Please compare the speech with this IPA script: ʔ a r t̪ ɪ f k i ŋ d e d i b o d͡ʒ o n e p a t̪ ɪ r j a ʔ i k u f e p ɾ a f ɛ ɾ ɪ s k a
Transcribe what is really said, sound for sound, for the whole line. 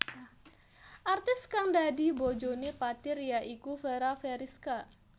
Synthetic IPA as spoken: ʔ a r t̪ ɪ s k a ŋ d a d i b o d͡ʒ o n e p a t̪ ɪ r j a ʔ i k u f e ɾ a f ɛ ɾ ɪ s k a